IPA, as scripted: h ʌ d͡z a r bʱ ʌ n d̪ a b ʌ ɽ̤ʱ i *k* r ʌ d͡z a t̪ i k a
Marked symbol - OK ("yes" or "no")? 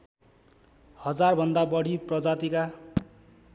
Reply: no